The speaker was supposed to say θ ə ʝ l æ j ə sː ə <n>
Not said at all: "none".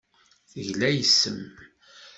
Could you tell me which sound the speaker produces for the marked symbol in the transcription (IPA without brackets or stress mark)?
m